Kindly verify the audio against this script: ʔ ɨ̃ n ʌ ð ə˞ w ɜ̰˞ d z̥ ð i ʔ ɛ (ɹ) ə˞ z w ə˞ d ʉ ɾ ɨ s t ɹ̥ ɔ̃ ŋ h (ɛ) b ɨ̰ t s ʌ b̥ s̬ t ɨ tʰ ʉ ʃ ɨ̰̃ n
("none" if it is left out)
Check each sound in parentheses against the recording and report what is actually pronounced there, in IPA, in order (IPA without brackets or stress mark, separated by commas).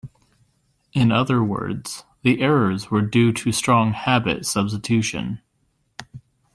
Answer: ɹ, æ